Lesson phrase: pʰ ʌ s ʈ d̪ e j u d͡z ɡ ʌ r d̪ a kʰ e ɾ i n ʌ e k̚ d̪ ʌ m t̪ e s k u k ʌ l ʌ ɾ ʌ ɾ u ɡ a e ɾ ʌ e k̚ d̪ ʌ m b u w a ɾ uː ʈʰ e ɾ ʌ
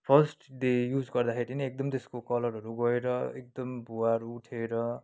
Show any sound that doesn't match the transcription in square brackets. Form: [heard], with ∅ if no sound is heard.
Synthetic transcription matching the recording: pʰ ʌ s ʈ d̪ e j u d͡z ɡ ʌ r d̪ a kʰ e ɾ i n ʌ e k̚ d̪ ʌ m t̪ e s k [o] k ʌ l ʌ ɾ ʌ ɾ u ɡ [ʌ] e ɾ ʌ e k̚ d̪ ʌ m b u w a ɾ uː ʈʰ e ɾ ʌ